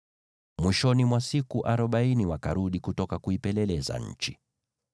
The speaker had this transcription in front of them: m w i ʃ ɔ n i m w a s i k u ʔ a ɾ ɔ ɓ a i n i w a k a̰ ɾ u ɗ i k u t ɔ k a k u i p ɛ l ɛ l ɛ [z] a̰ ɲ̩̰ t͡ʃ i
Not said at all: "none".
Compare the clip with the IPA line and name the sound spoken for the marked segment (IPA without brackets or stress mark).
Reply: z